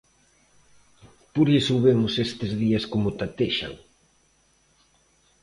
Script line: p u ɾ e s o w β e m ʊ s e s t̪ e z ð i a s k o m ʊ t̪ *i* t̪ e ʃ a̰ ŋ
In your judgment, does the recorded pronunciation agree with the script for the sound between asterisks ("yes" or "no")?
no